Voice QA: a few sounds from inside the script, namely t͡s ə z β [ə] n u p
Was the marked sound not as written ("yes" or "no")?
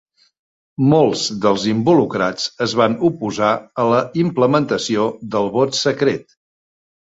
yes